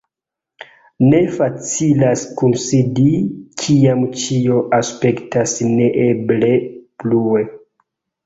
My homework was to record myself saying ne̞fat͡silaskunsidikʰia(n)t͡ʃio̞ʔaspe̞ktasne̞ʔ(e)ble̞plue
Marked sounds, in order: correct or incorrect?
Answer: incorrect: m, correct

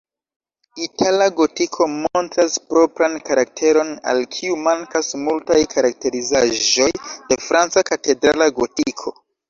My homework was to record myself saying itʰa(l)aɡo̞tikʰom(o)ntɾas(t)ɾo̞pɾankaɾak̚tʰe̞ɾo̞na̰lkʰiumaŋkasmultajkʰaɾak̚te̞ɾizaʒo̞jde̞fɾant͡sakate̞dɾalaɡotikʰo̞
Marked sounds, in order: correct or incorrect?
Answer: correct, correct, incorrect: p

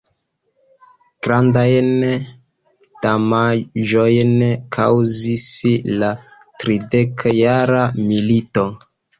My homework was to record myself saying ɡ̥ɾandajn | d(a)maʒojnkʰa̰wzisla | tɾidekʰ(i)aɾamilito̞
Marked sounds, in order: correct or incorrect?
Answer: correct, incorrect: j

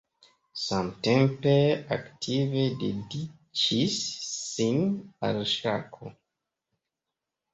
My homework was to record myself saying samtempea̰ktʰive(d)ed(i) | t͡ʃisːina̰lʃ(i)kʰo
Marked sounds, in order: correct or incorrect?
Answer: correct, correct, incorrect: a

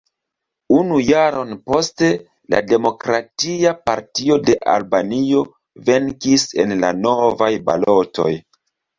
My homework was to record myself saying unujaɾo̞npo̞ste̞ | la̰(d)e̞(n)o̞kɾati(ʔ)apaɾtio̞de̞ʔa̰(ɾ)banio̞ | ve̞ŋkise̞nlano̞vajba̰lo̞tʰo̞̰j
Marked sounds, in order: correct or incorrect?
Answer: correct, incorrect: m, incorrect: none, incorrect: l

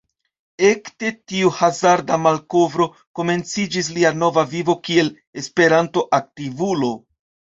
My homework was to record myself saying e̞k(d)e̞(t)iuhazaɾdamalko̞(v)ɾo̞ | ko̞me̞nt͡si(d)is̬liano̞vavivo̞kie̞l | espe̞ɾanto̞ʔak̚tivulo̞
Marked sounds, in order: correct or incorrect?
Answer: incorrect: t, correct, correct, incorrect: d͡ʒ

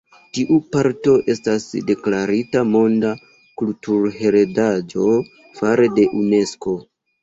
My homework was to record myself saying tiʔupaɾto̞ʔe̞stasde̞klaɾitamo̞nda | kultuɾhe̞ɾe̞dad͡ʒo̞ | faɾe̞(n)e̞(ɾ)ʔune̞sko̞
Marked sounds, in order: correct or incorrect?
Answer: incorrect: d, incorrect: none

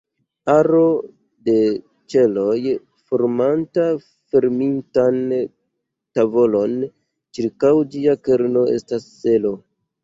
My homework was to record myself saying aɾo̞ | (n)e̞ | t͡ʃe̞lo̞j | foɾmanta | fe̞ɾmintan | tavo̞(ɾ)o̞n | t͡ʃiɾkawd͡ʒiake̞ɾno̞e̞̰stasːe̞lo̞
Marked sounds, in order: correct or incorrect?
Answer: incorrect: d, incorrect: l

